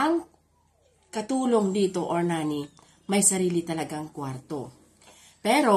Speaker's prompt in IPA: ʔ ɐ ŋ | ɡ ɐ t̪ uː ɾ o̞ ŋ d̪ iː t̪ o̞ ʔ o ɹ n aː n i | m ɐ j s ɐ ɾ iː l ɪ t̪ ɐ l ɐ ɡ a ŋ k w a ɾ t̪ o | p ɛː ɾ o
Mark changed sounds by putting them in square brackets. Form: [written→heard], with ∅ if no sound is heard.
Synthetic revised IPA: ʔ ɐ ŋ | [ɡ→k] ɐ t̪ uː [ɾ→l] o̞ ŋ d̪ iː t̪ o̞ ʔ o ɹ n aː n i | m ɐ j s ɐ ɾ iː l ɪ t̪ ɐ l ɐ ɡ a ŋ k w a ɾ t̪ o | p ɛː ɾ o